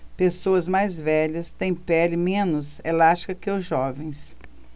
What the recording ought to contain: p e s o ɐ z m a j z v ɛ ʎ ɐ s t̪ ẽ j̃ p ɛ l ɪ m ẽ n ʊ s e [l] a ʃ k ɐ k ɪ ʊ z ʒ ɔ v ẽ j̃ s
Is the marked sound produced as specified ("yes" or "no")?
yes